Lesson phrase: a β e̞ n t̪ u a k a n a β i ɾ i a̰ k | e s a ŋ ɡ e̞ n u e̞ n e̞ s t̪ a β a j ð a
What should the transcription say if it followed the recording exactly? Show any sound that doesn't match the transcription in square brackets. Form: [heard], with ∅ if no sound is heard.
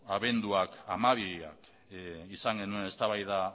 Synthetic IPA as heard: a β e̞ n [d̪] u a k a [m] a β i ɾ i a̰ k | [i] s a ŋ ɡ e̞ n u e̞ n e̞ s t̪ a β a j ð a